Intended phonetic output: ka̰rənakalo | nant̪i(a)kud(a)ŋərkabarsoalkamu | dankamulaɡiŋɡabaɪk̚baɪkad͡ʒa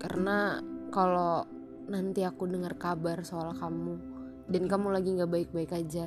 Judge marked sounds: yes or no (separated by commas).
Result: yes, no